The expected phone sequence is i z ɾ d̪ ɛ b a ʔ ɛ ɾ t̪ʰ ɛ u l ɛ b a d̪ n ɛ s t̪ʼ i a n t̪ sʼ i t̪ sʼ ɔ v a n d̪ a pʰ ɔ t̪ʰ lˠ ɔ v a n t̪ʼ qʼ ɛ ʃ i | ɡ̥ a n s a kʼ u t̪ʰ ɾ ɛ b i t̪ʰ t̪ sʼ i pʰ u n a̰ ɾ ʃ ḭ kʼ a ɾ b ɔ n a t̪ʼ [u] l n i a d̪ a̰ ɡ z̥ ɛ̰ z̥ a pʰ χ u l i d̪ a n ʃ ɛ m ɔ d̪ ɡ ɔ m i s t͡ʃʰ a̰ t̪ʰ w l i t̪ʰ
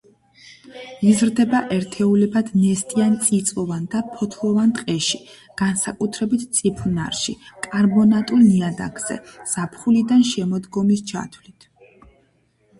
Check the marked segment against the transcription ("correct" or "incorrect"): correct